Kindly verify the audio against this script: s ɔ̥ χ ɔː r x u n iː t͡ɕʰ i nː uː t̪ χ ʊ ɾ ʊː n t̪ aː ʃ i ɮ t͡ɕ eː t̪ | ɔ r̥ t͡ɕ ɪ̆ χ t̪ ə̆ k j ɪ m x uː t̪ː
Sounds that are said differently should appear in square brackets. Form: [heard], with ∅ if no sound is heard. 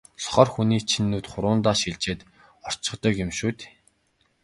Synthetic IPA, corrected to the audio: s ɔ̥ χ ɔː r x u n iː t͡ɕʰ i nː uː t̪ χ ʊ ɾ ʊː n t̪ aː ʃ i ɮ t͡ɕ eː t̪ | ɔ r̥ t͡ɕ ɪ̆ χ t̪ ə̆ k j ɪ m [ʃ] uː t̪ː